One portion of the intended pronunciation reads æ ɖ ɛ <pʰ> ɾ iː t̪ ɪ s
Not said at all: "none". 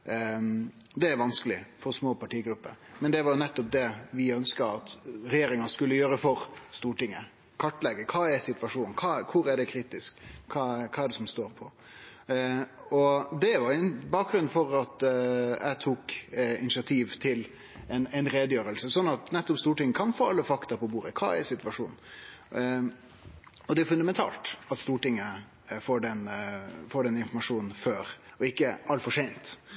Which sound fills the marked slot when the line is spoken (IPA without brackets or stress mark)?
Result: kʰ